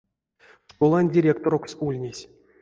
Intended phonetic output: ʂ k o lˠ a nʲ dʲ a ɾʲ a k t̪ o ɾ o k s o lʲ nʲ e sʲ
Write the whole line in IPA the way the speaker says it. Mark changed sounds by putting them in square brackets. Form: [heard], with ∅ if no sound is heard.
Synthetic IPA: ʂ k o lˠ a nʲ dʲ [i] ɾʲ [e] k t̪ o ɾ o k s [u] lʲ nʲ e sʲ